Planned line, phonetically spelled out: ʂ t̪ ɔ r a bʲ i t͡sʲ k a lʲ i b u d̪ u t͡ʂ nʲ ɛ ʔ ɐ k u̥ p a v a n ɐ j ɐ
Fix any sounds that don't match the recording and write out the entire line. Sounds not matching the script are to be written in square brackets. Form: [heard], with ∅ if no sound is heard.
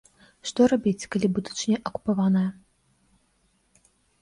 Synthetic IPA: ʂ t̪ ɔ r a bʲ i t͡sʲ k a lʲ i b u d̪ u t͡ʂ nʲ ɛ ʔ ɐ k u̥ p a v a n ɐ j ɐ